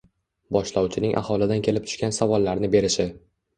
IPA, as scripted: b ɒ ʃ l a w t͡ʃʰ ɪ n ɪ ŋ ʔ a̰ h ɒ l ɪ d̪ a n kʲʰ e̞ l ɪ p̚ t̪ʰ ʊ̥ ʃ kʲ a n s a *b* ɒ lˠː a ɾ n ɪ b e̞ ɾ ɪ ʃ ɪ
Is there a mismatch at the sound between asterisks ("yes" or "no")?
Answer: yes